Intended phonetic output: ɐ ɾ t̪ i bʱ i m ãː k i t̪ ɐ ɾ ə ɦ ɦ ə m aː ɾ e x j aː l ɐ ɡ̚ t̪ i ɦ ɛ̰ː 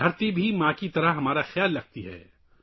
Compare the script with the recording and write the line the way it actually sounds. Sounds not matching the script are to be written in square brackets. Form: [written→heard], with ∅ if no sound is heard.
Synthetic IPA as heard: ɐ ɾ t̪ i bʱ i m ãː k i t̪ ɐ ɾ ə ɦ ɦ [ə→ɐ] m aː ɾ [e→a] x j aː [l→lː] ɐ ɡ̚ t̪ i ɦ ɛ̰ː